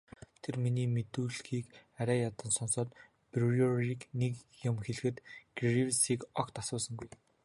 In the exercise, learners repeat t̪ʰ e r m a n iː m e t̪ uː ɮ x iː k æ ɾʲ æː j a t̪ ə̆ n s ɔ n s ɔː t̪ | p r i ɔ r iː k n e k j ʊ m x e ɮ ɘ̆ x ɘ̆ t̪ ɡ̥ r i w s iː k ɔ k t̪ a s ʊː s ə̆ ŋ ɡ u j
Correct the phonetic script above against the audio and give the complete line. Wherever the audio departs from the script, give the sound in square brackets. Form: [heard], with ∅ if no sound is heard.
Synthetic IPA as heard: t̪ʰ e r m [i] n iː m e t̪ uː ɮ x iː k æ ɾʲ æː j a t̪ ə̆ n s ɔ n s ɔː t̪ | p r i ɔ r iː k n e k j ʊ m x e ɮ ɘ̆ x ɘ̆ t̪ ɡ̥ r i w s iː k ɔ k t̪ a s ʊː s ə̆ ŋ ɡ u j